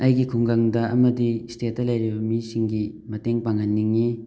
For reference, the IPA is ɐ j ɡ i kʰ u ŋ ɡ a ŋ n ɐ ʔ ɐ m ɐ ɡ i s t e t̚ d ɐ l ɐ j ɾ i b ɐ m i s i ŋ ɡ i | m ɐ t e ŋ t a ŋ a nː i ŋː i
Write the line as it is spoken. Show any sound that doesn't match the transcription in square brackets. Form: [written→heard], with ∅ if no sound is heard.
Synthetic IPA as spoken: ɐ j ɡ i kʰ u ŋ ɡ a ŋ [n→d] ɐ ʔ ɐ m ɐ [ɡ→d] i s t e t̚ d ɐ l ɐ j ɾ i b ɐ m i s i ŋ ɡ i | m ɐ t e ŋ [t→p] a ŋ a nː i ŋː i